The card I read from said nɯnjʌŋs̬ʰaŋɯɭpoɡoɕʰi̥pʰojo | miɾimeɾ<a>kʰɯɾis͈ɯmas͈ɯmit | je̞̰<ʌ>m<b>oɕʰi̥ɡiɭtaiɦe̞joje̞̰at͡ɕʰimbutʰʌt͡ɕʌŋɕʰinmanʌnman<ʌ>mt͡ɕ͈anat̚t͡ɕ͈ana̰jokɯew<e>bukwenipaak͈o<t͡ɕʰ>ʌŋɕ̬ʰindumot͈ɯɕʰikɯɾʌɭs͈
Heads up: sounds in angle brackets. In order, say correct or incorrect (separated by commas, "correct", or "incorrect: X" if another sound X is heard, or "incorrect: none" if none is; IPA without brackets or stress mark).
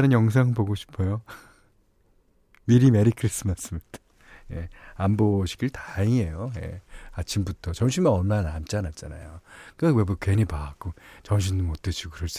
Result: incorrect: i, incorrect: a, correct, incorrect: a, correct, incorrect: t͡ɕ